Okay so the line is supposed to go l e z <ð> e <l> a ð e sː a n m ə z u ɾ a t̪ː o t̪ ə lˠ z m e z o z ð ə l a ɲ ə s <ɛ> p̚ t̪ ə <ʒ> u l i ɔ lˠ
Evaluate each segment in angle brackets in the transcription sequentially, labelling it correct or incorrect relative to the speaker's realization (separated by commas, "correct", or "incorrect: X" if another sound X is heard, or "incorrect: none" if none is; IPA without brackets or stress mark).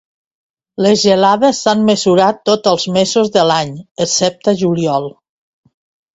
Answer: incorrect: ʒ, correct, correct, correct